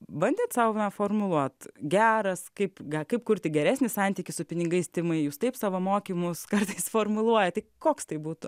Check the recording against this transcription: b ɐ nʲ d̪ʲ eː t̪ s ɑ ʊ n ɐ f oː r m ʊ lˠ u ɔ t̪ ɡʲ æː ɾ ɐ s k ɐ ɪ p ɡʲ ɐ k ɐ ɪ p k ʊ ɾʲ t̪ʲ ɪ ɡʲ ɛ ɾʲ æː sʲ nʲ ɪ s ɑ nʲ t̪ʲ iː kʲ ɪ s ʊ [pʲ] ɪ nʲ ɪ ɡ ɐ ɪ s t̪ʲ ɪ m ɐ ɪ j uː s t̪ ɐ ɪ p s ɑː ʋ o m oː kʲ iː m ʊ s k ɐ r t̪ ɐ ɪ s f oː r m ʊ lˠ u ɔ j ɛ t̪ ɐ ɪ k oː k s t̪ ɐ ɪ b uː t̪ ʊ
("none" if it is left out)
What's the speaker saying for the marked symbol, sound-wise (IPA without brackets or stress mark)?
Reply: pʲ